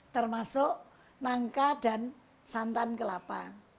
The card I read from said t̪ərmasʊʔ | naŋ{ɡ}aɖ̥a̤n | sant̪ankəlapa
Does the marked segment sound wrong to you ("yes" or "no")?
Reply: yes